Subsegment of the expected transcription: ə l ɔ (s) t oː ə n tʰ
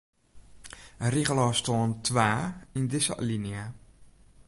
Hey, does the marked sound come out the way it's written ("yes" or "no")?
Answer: yes